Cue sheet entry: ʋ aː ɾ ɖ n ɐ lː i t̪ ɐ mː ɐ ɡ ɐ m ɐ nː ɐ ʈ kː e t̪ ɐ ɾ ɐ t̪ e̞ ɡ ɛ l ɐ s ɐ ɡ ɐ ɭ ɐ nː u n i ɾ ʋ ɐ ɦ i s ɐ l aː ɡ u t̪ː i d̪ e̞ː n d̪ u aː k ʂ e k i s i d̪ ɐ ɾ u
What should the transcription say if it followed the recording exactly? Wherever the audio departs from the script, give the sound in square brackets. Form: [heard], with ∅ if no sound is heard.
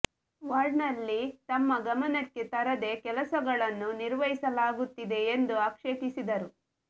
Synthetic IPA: ʋ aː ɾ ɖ n ɐ lː i t̪ ɐ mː ɐ ɡ ɐ m ɐ [n] ɐ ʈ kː e t̪ ɐ ɾ ɐ [d̪] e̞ [k] ɛ l ɐ s ɐ ɡ ɐ ɭ ɐ nː u n i ɾ ʋ ɐ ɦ i s ɐ l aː ɡ u t̪ː i d̪ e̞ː n d̪ u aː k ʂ e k i s i d̪ ɐ ɾ u